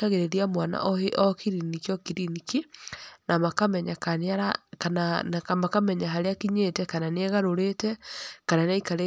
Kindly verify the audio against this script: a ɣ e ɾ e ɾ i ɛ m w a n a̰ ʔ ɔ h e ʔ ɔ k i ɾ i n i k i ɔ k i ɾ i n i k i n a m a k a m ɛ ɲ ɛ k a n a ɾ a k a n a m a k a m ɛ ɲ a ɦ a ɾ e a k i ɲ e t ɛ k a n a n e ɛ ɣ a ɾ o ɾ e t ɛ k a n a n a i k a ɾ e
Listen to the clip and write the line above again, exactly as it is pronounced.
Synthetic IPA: a ɣ e ɾ e ɾ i a m w a n a̰ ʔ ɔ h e ʔ ɔ k i ɾ i n i k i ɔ k i ɾ i n i k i n a m a k a m ɛ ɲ a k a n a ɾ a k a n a m a k a m ɛ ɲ a ɦ a ɾ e a k i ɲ e t ɛ k a n a n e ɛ ɣ a ɾ o ɾ e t ɛ k a n a n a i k a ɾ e